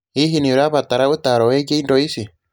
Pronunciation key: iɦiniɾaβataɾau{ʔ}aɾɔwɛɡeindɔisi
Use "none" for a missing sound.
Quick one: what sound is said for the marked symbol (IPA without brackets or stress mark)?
t